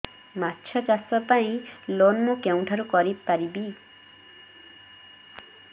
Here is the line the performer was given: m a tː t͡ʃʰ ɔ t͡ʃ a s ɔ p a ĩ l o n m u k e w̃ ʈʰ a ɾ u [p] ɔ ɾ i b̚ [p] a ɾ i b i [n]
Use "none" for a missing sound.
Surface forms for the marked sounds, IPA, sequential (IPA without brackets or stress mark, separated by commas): k, p, none